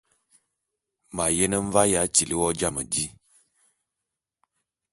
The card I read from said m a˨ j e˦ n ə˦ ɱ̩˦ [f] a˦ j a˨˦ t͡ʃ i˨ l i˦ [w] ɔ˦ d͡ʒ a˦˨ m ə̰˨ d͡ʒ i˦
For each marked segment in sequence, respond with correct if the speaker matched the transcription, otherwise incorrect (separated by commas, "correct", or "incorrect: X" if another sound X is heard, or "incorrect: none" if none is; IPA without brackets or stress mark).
incorrect: v, correct